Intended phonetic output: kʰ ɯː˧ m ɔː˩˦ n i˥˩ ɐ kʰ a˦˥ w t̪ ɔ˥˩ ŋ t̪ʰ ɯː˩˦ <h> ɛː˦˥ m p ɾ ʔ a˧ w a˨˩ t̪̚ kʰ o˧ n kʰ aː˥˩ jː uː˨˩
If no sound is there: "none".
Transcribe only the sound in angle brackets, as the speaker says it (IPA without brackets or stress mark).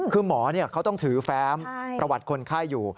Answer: f